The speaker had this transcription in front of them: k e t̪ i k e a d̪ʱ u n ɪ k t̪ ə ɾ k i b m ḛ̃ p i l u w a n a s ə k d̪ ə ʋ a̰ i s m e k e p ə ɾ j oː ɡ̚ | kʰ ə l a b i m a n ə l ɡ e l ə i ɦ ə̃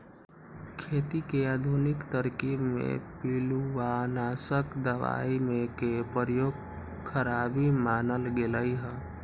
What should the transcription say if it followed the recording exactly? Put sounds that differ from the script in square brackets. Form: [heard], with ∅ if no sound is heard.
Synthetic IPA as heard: [kʰ] e t̪ i k e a d̪ʱ u n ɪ k t̪ ə ɾ k i b m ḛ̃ p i l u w a n a s ə k d̪ ə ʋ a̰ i [∅] m e k e p ə ɾ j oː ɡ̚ | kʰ ə [ɾ] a b i m a n ə l ɡ e l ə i ɦ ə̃